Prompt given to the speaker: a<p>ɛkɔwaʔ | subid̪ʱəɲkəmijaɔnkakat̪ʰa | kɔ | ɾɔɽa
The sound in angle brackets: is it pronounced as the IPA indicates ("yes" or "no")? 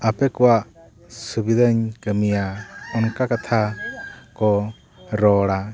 yes